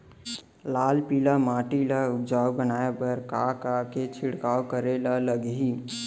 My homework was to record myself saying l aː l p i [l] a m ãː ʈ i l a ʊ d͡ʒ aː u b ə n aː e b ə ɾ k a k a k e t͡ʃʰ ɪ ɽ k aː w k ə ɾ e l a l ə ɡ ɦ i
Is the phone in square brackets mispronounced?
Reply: no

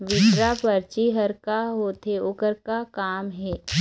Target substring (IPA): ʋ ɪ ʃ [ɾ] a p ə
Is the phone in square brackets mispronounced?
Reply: no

